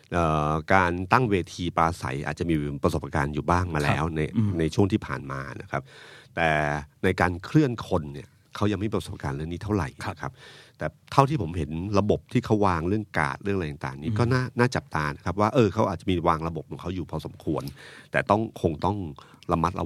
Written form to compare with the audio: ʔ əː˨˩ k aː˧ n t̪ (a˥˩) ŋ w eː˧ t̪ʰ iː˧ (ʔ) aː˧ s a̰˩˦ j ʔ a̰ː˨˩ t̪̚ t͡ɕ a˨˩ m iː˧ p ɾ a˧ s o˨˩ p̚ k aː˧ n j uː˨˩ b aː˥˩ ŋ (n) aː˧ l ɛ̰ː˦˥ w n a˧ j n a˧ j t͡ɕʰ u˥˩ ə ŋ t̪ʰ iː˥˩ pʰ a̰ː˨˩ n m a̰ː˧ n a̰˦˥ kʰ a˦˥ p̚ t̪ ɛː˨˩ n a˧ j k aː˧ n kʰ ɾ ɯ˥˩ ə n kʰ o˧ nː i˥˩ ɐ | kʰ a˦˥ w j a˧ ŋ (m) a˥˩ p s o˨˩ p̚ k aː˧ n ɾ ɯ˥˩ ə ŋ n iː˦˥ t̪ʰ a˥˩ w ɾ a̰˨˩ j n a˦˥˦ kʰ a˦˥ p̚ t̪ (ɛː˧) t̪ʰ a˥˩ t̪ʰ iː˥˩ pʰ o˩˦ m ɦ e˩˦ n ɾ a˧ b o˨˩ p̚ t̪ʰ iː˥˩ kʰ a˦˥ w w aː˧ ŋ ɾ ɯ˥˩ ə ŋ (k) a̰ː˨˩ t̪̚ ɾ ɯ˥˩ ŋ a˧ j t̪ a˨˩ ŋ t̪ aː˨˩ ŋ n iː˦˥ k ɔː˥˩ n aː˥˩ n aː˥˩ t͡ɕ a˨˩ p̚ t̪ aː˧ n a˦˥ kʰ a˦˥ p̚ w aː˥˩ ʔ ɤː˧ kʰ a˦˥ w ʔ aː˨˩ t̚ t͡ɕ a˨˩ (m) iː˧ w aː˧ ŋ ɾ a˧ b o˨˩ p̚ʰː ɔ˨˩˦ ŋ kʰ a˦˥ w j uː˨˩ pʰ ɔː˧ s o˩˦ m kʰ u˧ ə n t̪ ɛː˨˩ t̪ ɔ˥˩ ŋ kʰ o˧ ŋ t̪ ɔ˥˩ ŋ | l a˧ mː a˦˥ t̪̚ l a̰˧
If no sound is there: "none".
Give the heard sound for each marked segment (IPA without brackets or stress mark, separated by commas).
a˥˩, p, m, m, ɛː˨˩, k, m